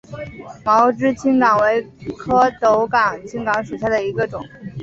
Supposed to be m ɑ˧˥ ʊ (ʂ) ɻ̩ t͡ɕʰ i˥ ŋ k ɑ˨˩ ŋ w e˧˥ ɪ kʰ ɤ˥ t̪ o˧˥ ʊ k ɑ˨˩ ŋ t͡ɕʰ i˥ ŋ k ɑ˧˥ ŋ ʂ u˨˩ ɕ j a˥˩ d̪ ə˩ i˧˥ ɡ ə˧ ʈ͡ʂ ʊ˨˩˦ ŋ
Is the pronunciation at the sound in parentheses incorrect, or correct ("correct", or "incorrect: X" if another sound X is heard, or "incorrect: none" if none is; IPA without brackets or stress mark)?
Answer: incorrect: ʈ͡ʂ